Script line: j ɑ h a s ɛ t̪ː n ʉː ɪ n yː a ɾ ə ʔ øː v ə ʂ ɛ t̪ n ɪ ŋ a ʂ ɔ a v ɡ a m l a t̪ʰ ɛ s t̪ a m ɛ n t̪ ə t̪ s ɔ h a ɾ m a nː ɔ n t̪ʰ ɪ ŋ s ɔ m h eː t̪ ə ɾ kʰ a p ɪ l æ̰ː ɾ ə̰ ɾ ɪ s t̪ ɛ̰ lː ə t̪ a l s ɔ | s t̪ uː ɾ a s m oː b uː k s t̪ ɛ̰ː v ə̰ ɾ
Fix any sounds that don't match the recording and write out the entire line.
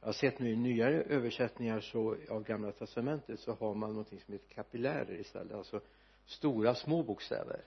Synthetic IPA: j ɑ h a s ɛ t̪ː n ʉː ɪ n yː a ɾ ə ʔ øː v ə ʂ ɛ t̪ n ɪ ŋ a ʂ ɔ a v ɡ a m l a t̪ʰ ɛ s t̪ a m ɛ n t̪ ə t̪ s ɔ h a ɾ m a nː ɔ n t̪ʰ ɪ ŋ s ɔ m h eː t̪ ə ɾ kʰ a p ɪ l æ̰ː ɾ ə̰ ɾ ɪ s t̪ ɛ̰ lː ə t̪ a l s ɔ | s t̪ uː ɾ a s m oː b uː k s t̪ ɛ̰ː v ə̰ ɾ